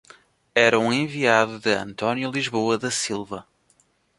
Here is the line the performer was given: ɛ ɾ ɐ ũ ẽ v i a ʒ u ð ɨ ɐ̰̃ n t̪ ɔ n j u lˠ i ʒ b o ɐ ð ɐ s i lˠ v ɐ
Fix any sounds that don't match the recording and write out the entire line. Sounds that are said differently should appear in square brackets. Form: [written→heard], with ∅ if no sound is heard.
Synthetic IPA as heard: ɛ ɾ ɐ ũ ẽ v i a [ʒ→ð] u ð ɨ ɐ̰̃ n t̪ ɔ n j u lˠ i ʒ [b→β] o ɐ ð ɐ s i lˠ v ɐ